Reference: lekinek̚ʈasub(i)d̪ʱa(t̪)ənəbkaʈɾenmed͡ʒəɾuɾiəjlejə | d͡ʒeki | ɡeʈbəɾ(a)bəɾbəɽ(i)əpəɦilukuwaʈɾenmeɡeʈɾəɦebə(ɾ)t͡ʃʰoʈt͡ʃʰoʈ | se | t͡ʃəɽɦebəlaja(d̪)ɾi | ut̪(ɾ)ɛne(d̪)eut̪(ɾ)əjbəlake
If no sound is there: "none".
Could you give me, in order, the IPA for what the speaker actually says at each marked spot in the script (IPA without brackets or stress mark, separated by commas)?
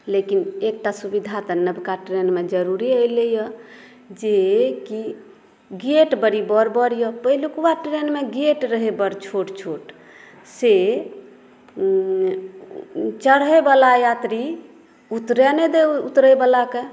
i, t̪, i, j, ɾ, t̪, ɾ, d̪, ɾ